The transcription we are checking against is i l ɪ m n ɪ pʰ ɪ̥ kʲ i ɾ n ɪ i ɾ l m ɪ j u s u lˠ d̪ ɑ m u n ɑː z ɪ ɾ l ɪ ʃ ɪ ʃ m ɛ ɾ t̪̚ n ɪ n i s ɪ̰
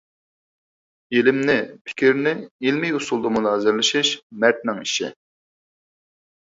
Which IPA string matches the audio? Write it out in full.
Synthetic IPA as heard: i l ɪ m n ɪ pʰ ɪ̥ kʲ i ɾ n ɪ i l m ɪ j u s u lˠ d̪ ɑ m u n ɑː z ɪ ɾ l ɪ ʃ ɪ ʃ m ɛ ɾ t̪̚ n ɪ ŋ i ʃ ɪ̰